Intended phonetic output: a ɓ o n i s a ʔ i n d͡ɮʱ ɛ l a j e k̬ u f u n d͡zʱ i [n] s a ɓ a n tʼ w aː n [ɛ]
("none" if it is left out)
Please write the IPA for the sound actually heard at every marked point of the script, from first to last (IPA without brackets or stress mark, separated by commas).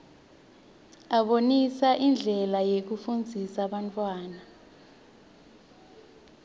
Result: none, a